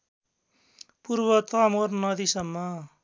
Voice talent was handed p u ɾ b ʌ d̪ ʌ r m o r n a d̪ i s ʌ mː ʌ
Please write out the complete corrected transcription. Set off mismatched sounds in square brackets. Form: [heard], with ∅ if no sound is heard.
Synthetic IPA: p u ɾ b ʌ [t̪] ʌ [∅] m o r n [ʌ] d̪ i s ʌ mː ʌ

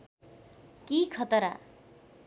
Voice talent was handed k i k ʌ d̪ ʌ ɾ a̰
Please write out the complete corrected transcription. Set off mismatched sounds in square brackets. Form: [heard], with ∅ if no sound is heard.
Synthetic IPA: k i [kʰ] ʌ [t̪] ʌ ɾ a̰

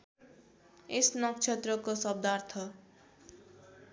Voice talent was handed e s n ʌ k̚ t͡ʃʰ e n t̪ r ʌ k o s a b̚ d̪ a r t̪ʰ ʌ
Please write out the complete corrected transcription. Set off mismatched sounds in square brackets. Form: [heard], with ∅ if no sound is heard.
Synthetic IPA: e s n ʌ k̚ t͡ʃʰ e [∅] t̪ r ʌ k o s [ʌ] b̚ d̪ a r t̪ʰ ʌ

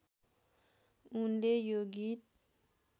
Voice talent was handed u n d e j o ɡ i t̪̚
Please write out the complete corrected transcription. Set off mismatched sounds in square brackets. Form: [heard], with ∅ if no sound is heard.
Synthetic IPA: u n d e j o ɡ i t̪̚

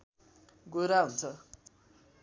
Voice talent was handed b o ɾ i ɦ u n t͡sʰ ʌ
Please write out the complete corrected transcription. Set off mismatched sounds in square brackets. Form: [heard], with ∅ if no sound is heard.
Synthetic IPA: [ɡ] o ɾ [a] ɦ u n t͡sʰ ʌ

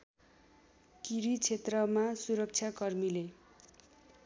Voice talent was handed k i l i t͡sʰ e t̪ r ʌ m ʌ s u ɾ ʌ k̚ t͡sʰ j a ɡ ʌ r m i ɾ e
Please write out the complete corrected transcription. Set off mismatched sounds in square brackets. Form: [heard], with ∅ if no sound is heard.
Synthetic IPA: k i [ɾ] i t͡sʰ e t̪ r ʌ m [a] s u ɾ ʌ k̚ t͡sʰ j a [k] ʌ r m i [l] e

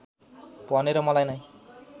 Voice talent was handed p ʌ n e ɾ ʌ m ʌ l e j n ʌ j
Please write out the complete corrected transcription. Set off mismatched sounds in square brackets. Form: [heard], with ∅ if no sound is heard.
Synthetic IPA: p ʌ n e ɾ ʌ m ʌ l [a] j n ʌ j

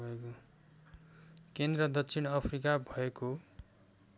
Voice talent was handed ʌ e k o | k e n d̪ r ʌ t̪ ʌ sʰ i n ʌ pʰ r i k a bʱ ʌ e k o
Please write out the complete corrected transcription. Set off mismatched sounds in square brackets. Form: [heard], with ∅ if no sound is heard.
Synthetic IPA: ʌ e k o | k e n d̪ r ʌ [d̪] ʌ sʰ i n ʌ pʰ r i k a bʱ ʌ e k o

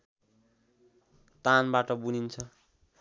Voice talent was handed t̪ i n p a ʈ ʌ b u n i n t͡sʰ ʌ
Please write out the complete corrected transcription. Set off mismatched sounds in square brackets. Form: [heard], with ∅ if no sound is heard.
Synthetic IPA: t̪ [a] n [b] a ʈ ʌ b u n i n t͡sʰ ʌ

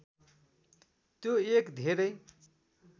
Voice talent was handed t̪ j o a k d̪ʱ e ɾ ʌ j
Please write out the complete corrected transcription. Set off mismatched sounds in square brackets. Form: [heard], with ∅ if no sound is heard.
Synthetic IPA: t̪ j o [e] k d̪ʱ e ɾ ʌ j

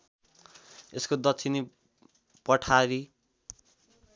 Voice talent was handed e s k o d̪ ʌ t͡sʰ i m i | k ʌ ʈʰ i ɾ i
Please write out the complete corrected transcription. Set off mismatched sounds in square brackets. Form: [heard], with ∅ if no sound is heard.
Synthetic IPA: e s k o d̪ ʌ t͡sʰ i [n] i | [p] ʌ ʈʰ [a] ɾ i

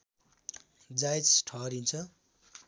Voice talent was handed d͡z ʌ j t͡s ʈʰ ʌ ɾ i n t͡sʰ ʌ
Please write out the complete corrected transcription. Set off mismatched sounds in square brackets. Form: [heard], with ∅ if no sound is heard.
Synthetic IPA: d͡z [a] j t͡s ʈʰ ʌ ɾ i n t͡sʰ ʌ

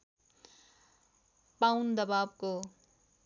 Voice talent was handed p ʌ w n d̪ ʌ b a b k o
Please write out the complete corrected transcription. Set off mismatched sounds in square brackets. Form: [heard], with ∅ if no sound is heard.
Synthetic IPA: p [a] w n d̪ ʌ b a b k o

